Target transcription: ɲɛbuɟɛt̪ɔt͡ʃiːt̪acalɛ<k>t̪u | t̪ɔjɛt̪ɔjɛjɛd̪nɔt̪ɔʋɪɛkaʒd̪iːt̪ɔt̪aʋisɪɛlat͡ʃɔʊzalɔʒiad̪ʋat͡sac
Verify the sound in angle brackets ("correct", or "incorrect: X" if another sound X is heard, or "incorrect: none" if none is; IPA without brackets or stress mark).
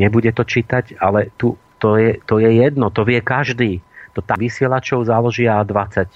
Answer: incorrect: none